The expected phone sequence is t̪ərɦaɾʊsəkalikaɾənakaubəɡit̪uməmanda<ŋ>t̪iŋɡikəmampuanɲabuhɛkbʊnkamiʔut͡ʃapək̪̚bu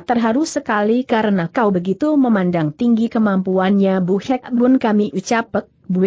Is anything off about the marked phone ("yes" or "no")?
no